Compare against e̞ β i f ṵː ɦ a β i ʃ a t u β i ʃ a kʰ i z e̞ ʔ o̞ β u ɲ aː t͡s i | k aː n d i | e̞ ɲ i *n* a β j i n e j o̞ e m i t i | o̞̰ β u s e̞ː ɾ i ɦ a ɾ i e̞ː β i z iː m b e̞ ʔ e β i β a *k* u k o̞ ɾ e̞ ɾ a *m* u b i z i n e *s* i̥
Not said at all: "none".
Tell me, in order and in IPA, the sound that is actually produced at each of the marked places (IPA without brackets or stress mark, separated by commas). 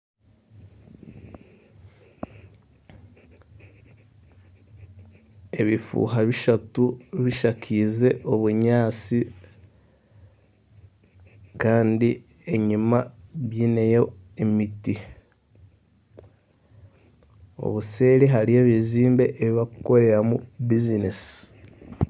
m, k, m, s